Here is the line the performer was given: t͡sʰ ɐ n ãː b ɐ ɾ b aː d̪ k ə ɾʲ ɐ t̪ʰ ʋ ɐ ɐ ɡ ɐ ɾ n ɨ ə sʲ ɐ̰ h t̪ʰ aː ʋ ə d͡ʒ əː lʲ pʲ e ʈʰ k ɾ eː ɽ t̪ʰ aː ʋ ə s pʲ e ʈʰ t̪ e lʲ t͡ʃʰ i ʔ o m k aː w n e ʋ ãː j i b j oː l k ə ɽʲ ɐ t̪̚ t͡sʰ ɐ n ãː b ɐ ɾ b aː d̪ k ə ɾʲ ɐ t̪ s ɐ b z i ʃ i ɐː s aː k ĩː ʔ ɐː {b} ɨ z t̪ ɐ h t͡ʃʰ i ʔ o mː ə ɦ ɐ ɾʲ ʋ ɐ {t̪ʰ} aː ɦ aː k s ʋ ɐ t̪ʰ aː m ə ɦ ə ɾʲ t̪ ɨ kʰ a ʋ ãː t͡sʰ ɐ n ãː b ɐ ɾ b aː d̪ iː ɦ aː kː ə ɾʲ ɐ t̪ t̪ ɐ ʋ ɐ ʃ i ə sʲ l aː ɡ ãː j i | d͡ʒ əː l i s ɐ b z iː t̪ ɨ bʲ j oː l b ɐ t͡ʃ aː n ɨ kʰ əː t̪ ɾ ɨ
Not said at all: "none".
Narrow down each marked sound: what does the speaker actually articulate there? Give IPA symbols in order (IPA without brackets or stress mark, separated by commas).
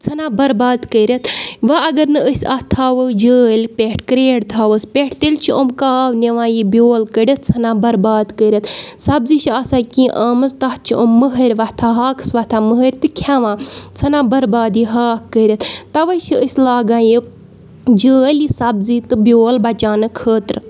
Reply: m, t̪ʰ